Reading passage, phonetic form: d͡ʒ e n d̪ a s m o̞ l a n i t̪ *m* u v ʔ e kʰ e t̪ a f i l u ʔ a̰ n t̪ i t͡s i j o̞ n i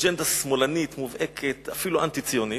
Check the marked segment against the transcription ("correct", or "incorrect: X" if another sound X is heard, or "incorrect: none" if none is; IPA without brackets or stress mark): correct